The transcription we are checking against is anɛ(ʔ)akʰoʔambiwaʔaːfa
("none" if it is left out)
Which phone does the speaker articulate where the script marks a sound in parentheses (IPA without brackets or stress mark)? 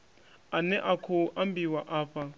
ʔ